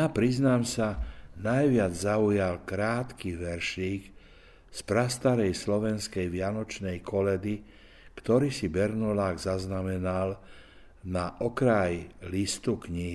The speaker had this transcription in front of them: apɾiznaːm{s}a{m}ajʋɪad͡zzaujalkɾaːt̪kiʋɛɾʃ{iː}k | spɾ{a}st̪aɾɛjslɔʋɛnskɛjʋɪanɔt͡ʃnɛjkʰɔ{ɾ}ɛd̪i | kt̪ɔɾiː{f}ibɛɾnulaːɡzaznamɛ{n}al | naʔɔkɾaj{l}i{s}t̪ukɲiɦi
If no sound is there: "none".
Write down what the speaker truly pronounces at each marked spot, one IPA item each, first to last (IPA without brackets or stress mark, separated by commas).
s, n, iː, a, l, s, n, l, s